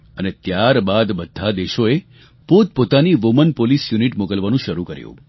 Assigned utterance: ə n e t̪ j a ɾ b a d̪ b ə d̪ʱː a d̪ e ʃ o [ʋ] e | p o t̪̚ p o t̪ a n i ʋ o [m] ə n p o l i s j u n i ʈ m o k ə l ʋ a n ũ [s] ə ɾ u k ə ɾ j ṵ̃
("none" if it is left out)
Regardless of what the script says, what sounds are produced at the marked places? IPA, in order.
none, m, ʃ

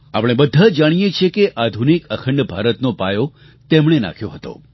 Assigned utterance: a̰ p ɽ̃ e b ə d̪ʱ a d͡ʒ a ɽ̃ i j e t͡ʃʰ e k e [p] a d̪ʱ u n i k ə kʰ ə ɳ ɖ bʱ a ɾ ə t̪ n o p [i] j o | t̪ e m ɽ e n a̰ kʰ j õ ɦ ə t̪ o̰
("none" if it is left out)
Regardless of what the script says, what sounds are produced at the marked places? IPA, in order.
ʔ, a

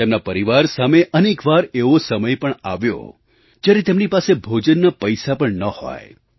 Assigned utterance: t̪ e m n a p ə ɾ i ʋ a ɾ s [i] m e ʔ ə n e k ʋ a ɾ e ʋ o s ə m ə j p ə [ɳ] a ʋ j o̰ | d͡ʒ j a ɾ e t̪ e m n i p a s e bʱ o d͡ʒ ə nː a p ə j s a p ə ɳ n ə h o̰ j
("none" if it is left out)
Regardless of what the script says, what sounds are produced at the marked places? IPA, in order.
a, ɳ

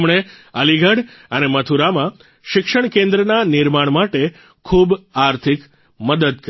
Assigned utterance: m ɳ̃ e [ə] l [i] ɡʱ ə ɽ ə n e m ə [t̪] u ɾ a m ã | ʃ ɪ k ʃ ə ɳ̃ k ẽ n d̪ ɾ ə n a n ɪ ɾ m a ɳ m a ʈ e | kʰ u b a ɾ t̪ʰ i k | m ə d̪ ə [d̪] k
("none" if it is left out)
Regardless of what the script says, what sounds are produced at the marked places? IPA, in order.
ə, i, t̪ʰ, d̪

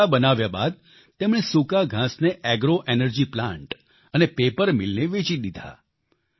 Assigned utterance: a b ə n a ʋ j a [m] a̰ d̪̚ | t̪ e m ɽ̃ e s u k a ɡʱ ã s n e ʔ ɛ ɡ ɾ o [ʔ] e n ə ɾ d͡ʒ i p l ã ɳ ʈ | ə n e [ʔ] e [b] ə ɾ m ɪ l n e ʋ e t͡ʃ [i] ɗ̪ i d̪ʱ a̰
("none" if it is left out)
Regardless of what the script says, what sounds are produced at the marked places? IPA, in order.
b, ʔ, p, p, i

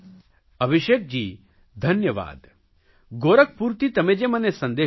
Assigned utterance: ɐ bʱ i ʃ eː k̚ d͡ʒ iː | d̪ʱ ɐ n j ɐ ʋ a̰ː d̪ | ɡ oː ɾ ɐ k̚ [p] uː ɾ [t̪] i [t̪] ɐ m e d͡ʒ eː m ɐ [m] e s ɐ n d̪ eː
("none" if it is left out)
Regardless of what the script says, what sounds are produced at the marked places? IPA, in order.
p, t̪, t̪, n

